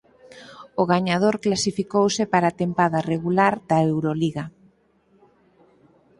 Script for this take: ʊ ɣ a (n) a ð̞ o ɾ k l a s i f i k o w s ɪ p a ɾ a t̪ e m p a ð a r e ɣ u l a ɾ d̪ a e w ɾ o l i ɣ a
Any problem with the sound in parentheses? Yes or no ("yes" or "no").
yes